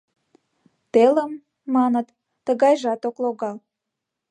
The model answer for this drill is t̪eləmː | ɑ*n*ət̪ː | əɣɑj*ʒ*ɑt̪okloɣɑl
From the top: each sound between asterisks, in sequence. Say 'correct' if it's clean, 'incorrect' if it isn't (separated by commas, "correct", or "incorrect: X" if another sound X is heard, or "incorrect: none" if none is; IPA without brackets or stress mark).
correct, correct